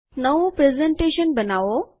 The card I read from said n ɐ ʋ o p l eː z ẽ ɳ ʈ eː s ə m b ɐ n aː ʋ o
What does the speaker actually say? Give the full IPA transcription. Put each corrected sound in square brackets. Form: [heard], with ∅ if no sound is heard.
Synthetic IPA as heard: n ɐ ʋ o p [ɾ] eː z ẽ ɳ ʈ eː [ʃ] ə [n] b ɐ n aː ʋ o

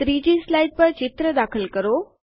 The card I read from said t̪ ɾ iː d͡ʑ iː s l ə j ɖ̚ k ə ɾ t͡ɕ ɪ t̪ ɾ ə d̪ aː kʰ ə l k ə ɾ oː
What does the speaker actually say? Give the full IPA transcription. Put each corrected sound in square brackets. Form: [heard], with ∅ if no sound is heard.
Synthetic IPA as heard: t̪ ɾ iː d͡ʑ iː s l [a] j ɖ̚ [p] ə ɾ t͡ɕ ɪ t̪ ɾ ə d̪ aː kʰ ə l k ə ɾ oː

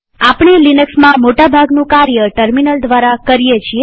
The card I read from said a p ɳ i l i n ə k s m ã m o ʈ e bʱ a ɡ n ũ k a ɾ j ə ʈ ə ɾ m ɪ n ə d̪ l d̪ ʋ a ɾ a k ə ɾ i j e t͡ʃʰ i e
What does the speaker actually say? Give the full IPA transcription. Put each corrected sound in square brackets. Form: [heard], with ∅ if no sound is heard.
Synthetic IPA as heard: a p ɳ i l i n ə k s m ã m o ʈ [a] bʱ a ɡ n ũ k a ɾ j ə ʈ ə ɾ m [i] n ə [∅] l d̪ ʋ a ɾ a k ə ɾ i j e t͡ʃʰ i e

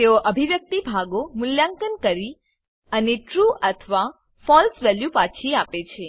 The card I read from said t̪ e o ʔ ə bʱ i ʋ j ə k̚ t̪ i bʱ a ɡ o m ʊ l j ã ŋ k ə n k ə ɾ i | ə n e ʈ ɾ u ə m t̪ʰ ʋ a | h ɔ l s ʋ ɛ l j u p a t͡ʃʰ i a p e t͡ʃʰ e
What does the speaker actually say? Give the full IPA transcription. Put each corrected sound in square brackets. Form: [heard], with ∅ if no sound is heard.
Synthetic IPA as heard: t̪ e o ʔ ə bʱ i ʋ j ə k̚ t̪ i bʱ a ɡ o m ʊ l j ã ŋ k ə n k ə ɾ i | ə n e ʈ ɾ u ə [∅] t̪ʰ ʋ a | [f] ɔ l s ʋ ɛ l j u p a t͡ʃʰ i a p e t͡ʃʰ e

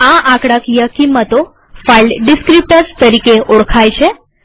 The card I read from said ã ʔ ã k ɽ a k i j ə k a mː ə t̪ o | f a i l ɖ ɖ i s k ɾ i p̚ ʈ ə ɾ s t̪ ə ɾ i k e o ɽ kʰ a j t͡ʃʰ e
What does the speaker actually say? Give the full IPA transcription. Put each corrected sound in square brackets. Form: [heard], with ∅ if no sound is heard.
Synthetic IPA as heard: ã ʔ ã k ɽ a k i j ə k [i] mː ə t̪ o | f a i l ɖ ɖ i s k ɾ i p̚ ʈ ə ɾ s t̪ ə ɾ i k e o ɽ kʰ a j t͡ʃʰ e

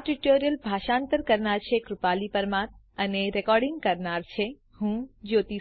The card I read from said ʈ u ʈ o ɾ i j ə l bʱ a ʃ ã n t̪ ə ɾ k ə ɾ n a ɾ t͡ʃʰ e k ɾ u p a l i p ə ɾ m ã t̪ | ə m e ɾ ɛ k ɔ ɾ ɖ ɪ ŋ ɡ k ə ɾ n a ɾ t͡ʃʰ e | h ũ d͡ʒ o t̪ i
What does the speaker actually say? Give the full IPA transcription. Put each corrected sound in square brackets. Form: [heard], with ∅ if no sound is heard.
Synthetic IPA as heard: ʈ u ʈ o ɾ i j ə l bʱ a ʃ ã n t̪ ə ɾ k ə ɾ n a ɾ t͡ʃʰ e k ɾ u p a l i p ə ɾ m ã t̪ | ə [n] e ɾ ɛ k ɔ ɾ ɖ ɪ ŋ ɡ k ə ɾ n a ɾ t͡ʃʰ e | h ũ d͡ʒ o t̪ i

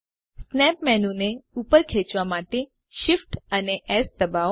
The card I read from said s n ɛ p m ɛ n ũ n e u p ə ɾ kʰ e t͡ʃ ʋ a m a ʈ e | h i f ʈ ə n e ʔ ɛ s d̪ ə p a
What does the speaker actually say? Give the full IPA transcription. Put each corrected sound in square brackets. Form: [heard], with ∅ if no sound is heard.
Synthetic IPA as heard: s n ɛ p m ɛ n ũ n e u p ə ɾ kʰ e t͡ʃ ʋ a m a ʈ e | [ʃ] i f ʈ ə n e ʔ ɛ s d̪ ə [b] a

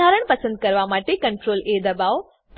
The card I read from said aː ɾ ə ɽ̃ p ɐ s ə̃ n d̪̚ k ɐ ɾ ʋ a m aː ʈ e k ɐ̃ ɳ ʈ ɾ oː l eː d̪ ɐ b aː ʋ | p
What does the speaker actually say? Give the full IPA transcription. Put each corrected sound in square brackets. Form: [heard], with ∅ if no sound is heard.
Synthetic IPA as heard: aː ɾ ə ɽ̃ p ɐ s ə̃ n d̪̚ k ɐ ɾ ʋ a m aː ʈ e k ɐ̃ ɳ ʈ ɾ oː l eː d̪ ɐ b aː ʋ | p

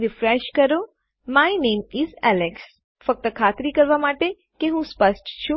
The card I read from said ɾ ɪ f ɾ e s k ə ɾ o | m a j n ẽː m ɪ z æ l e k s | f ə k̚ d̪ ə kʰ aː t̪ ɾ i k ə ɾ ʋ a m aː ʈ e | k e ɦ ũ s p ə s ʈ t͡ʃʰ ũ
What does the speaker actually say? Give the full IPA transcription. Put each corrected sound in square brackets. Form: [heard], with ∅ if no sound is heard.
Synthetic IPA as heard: ɾ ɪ f ɾ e [ʃ] k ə ɾ o | m a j n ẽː m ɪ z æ l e k s | f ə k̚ [t̪] ə kʰ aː t̪ ɾ i k ə ɾ ʋ a m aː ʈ e | k e ɦ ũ s p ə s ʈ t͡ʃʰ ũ

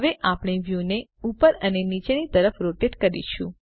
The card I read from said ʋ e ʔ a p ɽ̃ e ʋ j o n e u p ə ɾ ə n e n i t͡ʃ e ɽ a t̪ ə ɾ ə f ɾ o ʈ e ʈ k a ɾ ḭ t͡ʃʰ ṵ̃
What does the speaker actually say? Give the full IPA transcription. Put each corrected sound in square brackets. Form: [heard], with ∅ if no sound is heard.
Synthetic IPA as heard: ʋ e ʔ a p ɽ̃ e ʋ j [u] n e u p ə ɾ ə n e n i t͡ʃ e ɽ [i] t̪ ə ɾ ə f ɾ o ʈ e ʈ k [ə] ɾ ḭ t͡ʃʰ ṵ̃

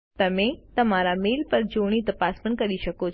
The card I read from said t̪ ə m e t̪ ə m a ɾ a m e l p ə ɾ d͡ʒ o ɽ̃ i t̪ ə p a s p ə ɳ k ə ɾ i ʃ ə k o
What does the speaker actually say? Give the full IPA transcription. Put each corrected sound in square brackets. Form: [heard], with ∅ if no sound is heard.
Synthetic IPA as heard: t̪ ə m e t̪ ə m a ɾ a m e l p ə ɾ d͡ʒ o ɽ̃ i t̪ ə p a s p ə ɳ k ə ɾ i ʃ ə k o

